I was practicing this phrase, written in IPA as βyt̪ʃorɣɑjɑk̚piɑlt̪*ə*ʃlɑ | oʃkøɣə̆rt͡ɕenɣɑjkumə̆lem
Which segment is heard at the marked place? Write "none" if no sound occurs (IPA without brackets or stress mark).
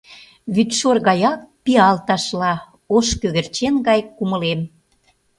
ɑ